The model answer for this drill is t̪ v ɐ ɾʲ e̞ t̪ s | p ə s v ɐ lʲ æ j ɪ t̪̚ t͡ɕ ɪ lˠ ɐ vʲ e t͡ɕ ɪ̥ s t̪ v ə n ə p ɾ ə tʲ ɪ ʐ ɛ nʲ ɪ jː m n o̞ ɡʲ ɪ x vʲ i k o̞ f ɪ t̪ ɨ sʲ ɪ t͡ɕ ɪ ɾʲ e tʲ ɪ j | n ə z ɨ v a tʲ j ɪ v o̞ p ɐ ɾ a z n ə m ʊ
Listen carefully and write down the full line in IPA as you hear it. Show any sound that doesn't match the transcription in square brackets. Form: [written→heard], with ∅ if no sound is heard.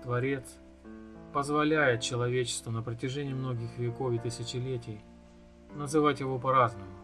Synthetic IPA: t̪ v ɐ ɾʲ e̞ t̪ s | p ə [s→z] v ɐ lʲ æ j ɪ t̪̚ t͡ɕ ɪ lˠ ɐ vʲ e t͡ɕ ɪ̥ s t̪ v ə n ə p ɾ ə tʲ ɪ ʐ ɛ nʲ ɪ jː m n o̞ ɡʲ ɪ x vʲ [i→ɪ] k o̞ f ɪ t̪ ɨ sʲ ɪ t͡ɕ ɪ [ɾʲ→lʲ] e tʲ ɪ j | n ə z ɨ v a tʲ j ɪ v o̞ p ɐ ɾ a z n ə m ʊ